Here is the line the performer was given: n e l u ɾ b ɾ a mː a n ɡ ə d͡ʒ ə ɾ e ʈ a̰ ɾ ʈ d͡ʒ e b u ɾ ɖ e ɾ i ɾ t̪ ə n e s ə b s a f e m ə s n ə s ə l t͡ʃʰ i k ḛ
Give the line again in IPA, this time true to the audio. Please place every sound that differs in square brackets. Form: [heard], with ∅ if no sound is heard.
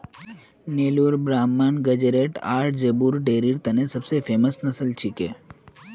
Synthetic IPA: n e l u ɾ b ɾ a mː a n ɡ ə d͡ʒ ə ɾ e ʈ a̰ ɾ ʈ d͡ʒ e b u ɾ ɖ e ɾ i ɾ t̪ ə n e s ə b s [e] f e m ə s n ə s ə l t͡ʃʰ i k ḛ